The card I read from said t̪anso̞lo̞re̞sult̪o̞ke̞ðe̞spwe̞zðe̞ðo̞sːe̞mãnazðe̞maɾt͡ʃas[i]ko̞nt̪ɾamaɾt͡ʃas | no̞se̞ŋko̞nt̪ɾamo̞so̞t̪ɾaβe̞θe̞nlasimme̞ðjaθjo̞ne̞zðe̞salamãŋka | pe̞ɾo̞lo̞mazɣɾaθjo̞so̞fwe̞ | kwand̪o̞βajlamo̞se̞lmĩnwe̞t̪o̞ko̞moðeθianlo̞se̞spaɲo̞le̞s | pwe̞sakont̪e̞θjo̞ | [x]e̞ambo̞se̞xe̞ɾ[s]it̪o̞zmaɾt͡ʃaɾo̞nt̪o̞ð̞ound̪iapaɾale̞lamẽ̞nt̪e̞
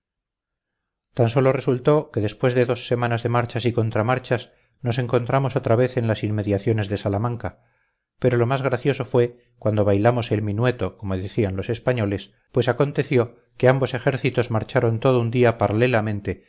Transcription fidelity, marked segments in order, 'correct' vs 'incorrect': correct, incorrect: k, incorrect: θ

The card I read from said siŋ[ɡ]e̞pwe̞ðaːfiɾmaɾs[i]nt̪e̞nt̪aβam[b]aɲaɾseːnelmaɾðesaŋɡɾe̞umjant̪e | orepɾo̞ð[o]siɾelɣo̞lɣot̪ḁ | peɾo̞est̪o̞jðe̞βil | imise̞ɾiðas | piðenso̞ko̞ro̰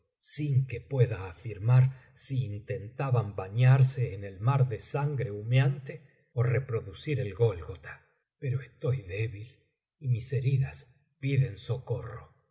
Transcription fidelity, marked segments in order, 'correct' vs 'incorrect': incorrect: k, incorrect: iː, correct, incorrect: u

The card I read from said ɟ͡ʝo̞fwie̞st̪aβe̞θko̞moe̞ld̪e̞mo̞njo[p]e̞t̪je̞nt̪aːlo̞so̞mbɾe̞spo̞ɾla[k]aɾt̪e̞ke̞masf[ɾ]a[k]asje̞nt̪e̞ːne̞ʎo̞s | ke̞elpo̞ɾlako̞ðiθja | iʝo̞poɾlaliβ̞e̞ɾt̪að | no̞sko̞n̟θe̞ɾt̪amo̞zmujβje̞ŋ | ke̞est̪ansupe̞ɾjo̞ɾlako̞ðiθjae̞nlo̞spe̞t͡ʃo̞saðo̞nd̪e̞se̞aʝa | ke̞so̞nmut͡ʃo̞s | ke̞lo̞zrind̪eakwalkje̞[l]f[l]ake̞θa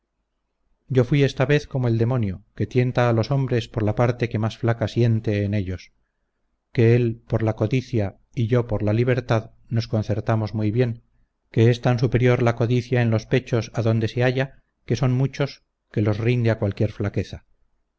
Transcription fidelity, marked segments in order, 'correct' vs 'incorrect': incorrect: k, incorrect: p, incorrect: l, correct, incorrect: ɾ, correct

